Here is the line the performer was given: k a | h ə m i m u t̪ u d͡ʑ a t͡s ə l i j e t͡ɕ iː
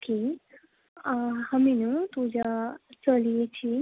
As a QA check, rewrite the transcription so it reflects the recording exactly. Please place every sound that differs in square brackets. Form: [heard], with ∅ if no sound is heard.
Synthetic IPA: k [i] | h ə m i [n] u t̪ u d͡ʑ a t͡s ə l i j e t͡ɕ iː